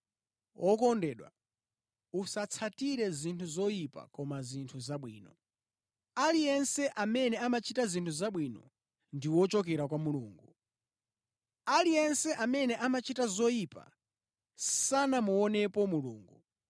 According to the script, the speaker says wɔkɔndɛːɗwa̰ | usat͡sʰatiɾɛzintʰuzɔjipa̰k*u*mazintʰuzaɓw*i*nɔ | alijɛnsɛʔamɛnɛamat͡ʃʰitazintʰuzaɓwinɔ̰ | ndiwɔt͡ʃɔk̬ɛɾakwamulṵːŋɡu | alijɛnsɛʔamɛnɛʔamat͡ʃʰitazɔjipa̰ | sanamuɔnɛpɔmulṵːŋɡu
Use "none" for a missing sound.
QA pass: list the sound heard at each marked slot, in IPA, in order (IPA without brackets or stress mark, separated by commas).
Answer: ɔ, iː